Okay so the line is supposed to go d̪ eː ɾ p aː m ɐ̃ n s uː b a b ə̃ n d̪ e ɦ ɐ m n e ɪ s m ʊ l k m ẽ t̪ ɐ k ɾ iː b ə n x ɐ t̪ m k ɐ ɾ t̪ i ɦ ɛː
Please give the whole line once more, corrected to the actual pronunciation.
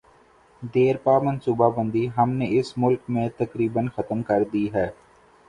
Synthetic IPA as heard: d̪ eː ɾ p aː m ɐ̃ n s uː b a b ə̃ n d̪ i ɦ ɐ m n e ɪ s m ʊ l k m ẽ t̪ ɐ k ɾ iː b ə n x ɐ t̪ m k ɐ ɾ d̪ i ɦ ɛː